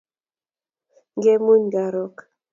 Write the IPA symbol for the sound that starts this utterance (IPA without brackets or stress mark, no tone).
ŋ